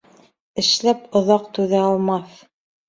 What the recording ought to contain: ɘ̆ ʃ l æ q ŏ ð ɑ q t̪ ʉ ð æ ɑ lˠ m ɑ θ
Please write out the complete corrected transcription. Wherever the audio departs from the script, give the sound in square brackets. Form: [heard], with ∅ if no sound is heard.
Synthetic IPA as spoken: ɘ̆ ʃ l æ [p] ŏ ð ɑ q t̪ ʉ ð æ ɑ lˠ m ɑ θ